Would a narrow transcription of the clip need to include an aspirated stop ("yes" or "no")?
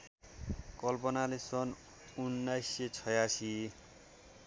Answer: yes